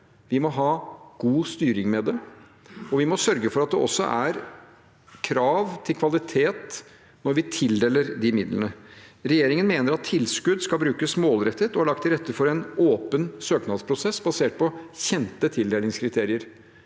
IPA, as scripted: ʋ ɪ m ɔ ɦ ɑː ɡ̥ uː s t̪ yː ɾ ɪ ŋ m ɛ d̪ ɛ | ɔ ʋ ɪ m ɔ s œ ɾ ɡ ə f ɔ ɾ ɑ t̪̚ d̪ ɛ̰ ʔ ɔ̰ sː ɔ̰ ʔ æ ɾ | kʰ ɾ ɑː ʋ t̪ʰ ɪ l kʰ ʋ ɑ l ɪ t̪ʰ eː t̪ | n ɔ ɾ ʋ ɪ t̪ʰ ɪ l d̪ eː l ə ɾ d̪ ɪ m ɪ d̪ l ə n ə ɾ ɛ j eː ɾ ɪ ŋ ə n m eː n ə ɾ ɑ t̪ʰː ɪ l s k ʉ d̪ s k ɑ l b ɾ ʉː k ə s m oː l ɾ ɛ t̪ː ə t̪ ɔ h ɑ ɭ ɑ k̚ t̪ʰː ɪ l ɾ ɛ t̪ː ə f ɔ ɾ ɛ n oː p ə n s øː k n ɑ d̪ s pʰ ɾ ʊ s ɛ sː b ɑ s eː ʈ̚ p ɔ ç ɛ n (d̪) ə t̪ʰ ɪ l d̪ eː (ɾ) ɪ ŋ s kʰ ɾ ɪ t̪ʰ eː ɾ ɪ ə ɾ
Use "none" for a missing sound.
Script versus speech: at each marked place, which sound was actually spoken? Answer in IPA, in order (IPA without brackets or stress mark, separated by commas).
t̪, l